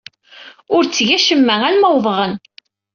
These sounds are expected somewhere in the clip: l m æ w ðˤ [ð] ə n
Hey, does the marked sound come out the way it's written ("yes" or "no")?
no